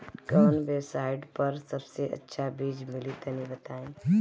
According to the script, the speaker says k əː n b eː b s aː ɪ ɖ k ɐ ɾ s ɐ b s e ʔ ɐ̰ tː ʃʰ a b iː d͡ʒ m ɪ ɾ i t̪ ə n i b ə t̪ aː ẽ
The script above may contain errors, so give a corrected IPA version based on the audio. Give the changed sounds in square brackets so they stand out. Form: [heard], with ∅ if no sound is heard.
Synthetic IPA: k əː n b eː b s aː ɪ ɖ [p] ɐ ɾ s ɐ b s e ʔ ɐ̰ tː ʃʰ a b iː d͡ʒ m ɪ [l] i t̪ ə n i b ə t̪ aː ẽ

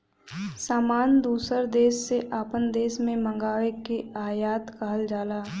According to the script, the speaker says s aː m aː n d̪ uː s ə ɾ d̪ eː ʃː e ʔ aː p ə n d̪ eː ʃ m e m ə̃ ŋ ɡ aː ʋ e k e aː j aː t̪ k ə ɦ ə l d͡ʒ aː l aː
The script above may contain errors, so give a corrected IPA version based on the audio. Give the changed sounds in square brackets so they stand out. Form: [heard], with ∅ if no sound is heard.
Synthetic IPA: s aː m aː n d̪ uː s ə ɾ d̪ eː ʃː e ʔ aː p ə n d̪ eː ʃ m [ẽ] m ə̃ ŋ ɡ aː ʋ e k e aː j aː t̪ k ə ɦ ə l d͡ʒ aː l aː

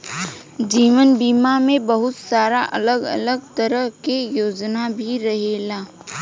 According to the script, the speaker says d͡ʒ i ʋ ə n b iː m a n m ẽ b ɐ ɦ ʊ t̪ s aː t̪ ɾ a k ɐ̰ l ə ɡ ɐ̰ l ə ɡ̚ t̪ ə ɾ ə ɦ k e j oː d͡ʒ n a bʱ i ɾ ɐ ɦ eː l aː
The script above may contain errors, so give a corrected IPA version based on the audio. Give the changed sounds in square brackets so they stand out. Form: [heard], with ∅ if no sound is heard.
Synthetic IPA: d͡ʒ [iː] ʋ ə n b iː m a [∅] m ẽ b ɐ ɦ ʊ t̪ s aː [∅] ɾ a [ʔ] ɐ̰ l ə ɡ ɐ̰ l ə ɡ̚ t̪ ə ɾ ə ɦ k e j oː d͡ʒ n a bʱ i ɾ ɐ ɦ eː l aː

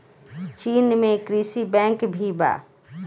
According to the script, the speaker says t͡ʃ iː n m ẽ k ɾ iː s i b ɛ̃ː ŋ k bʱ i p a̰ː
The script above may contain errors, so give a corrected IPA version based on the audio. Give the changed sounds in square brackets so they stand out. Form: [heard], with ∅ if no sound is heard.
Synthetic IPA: t͡ʃ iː n m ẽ k ɾ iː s i b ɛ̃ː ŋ k bʱ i [b] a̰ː

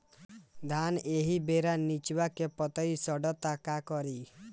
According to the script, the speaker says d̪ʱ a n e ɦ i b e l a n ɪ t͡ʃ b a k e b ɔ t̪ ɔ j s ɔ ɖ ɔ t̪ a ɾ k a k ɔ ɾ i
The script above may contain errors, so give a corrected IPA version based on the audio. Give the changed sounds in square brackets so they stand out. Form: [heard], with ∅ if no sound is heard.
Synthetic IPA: d̪ʱ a n e ɦ i b e [ɾ] a n [i] t͡ʃ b a k e [p] ɔ t̪ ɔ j s ɔ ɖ ɔ t̪ a [∅] k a k ɔ ɾ i

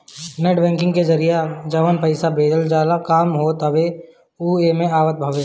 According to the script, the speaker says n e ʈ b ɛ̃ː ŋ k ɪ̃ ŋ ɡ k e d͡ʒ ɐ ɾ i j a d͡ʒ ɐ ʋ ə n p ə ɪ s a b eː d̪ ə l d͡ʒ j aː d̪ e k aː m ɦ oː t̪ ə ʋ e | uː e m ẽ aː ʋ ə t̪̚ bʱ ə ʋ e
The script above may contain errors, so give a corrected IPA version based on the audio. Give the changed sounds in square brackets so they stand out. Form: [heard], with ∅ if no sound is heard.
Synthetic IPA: n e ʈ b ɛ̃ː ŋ k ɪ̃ ŋ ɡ k e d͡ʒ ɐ ɾ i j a d͡ʒ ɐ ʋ ə n p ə ɪ s a b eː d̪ ə l d͡ʒ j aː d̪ [a] k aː m ɦ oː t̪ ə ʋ e | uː e m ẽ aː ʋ ə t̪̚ bʱ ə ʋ e

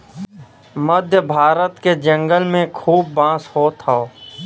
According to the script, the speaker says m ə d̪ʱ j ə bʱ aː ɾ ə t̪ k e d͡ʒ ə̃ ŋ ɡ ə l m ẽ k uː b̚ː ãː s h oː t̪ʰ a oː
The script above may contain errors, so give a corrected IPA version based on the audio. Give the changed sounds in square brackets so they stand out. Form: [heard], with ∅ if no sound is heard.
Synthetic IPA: m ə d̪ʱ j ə bʱ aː ɾ ə t̪ k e d͡ʒ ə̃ ŋ ɡ ə l m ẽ [kʰ] uː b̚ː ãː s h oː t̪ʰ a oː

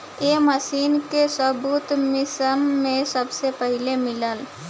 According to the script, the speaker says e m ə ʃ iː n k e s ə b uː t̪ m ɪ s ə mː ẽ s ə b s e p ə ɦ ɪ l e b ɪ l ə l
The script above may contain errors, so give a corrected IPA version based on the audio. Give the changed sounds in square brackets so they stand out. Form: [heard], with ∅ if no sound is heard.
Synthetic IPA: e m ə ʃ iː n k e s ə b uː t̪ m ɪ s ə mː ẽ s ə b s e p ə ɦ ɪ l e [m] ɪ l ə l

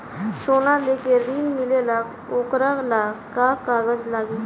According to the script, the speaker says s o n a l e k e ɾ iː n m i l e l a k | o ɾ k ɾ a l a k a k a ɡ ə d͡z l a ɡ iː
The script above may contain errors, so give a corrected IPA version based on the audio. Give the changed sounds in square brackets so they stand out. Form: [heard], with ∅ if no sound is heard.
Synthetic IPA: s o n a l e k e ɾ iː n m i l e l a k | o [∅] k ɾ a l a k a k a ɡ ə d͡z l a ɡ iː

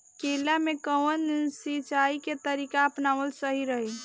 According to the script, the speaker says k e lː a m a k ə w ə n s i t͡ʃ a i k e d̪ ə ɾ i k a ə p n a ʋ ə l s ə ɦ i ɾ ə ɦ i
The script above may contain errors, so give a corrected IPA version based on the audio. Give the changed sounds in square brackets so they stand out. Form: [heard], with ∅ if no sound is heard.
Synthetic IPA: k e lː a m [e] k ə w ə n s i t͡ʃ a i k e [t̪] ə ɾ i k a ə p n a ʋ ə l s ə ɦ i ɾ ə ɦ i

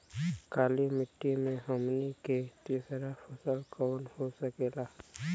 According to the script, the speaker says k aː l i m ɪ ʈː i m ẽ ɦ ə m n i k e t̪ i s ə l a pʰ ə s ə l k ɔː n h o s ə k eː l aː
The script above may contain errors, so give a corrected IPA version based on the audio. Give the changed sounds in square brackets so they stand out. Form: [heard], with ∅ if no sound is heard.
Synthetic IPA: k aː l i m ɪ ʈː i m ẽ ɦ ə m n i k e t̪ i s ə [ɾ] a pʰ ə s ə l k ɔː n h o s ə k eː l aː

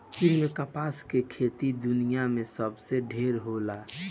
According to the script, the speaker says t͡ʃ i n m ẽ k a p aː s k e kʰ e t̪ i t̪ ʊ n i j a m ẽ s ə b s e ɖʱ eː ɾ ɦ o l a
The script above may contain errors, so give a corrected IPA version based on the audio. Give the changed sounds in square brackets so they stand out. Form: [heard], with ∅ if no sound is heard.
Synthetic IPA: t͡ʃ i n m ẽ k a p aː s k e kʰ e t̪ i [d̪] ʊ n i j a m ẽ s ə b s e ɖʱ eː ɾ ɦ o l a

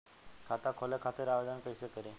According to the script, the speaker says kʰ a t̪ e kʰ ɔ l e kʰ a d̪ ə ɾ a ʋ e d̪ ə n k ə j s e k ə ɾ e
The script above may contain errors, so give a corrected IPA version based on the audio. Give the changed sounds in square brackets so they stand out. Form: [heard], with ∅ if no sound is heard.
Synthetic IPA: kʰ a t̪ [a] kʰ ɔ l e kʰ a [t̪] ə ɾ a ʋ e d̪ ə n k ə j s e k ə ɾ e

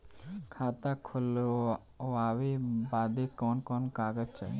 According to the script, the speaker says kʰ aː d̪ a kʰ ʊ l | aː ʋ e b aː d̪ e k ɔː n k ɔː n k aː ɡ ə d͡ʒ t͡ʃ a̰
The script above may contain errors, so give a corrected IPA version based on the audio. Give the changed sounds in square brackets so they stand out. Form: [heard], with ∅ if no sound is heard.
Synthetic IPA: kʰ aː [t̪] a kʰ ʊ l | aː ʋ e b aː d̪ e k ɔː n k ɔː n k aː ɡ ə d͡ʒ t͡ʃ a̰

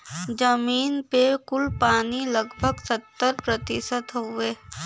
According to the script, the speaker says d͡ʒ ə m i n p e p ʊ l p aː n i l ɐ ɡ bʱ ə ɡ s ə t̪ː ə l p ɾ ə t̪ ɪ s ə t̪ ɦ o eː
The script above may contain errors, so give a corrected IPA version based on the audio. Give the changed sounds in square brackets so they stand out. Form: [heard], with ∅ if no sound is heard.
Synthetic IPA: d͡ʒ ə m [iː] n p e [k] ʊ l p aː n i l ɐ ɡ bʱ ə ɡ s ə t̪ː ə [ɾ] p ɾ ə t̪ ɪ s ə t̪ ɦ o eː

